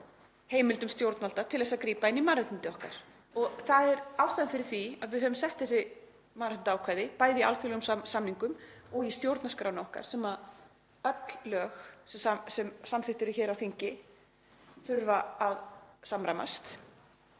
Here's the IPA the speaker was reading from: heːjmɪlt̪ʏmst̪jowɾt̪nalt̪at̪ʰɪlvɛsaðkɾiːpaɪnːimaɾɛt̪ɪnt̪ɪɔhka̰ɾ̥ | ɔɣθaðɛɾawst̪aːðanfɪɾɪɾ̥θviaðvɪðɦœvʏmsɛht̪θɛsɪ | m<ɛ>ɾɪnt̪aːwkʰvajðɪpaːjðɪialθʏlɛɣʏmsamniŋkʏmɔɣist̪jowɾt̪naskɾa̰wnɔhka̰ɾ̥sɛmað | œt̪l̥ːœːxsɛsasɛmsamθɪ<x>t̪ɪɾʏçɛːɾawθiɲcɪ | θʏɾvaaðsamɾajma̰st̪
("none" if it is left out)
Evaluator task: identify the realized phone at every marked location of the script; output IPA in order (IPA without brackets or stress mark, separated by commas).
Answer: a, h